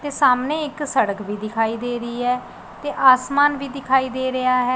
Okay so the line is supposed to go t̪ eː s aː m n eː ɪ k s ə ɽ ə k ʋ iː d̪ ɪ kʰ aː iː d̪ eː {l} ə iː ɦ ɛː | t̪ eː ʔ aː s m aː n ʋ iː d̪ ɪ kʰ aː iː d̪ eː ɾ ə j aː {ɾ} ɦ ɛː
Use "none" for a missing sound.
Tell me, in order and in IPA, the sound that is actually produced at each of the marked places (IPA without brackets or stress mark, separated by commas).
ɾ, none